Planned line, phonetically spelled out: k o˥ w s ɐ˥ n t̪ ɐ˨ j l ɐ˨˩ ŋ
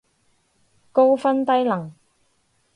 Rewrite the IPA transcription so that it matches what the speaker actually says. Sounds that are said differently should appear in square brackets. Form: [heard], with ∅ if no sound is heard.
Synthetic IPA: k o˥ w [f] ɐ˥ n t̪ [ɐ˥] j l ɐ˨˩ ŋ